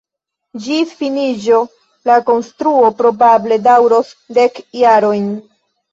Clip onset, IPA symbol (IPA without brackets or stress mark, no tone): d͡ʒ